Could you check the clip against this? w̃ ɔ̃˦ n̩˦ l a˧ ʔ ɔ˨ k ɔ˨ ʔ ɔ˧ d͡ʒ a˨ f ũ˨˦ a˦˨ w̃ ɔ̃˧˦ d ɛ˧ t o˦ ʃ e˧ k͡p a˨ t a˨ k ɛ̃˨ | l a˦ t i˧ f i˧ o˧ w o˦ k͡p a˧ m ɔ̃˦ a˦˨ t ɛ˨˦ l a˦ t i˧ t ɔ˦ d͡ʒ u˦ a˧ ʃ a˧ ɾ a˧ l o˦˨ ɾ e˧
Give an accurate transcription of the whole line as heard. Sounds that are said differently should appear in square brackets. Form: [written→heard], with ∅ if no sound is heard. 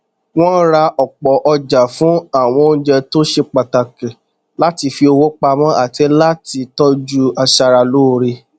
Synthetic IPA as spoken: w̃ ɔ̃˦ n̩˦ [l→ɾ] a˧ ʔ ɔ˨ [k→k͡p] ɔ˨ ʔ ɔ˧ d͡ʒ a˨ f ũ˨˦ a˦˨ w̃ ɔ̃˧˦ [d→d͡ʒ] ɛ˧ t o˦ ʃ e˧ k͡p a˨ t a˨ k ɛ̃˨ | l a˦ t i˧ f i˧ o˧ w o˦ k͡p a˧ m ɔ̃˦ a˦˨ t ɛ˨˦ l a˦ t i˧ t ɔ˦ d͡ʒ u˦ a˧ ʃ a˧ ɾ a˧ l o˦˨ ɾ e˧